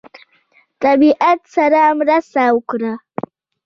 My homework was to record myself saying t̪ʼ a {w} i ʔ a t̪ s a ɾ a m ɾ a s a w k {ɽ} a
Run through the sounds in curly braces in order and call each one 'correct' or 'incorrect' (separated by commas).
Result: incorrect, incorrect